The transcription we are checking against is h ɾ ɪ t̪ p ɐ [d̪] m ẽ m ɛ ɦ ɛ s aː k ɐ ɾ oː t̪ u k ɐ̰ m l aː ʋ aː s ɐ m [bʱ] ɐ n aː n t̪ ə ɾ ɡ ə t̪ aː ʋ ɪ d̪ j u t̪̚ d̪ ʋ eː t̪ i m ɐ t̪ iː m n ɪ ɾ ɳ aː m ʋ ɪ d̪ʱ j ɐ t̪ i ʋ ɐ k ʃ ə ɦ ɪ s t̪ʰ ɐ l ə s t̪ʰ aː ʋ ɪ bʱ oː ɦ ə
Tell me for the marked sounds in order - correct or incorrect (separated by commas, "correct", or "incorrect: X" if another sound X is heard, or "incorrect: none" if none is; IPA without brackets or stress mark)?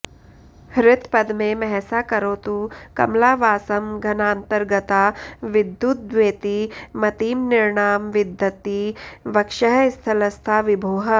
correct, incorrect: ɡʱ